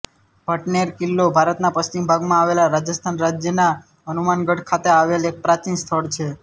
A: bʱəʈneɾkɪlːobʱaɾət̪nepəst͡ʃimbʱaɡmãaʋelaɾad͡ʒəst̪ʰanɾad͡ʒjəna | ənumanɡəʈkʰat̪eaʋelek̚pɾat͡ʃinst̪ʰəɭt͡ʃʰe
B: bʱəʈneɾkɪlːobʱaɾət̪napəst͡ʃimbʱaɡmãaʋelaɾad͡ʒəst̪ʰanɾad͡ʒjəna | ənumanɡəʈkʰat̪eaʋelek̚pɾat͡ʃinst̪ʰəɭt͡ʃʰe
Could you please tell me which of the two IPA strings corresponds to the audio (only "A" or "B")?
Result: B